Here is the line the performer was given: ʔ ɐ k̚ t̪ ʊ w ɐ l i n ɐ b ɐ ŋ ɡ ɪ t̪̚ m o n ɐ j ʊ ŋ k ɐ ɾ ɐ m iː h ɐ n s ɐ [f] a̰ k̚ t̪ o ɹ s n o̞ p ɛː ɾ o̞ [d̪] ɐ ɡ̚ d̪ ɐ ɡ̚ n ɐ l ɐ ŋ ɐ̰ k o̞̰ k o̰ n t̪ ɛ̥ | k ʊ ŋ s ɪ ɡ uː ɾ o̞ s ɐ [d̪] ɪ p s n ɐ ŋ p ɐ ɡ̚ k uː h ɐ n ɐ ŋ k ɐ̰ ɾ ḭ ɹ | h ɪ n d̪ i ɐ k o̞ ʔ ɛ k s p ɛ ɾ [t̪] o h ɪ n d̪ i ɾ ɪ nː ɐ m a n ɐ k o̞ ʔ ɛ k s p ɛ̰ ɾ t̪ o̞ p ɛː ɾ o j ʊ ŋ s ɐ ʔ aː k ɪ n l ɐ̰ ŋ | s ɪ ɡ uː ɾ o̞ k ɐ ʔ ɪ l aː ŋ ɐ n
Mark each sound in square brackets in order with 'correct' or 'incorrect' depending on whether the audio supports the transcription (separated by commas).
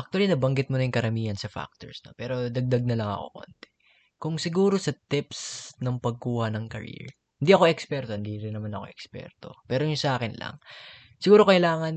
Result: correct, correct, incorrect, correct